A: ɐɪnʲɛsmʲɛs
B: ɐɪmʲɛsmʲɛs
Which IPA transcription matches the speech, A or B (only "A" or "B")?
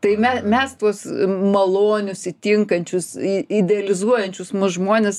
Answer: B